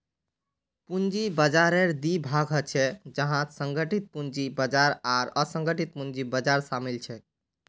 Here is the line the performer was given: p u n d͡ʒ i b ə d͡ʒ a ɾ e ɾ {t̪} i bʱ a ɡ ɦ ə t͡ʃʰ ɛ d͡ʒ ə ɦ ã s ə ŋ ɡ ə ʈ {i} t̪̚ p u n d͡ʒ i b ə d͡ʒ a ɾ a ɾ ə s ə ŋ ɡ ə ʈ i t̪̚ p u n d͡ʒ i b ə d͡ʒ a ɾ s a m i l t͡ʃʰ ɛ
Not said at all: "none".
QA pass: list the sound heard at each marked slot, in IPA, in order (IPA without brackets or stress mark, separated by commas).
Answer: d̪, i